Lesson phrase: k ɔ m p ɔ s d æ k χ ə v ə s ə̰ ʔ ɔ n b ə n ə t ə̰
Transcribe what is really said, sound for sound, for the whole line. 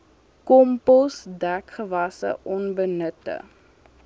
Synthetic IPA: k ɔ m p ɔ s d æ k χ ə v ɐ s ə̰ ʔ ɔ n b ə n ə t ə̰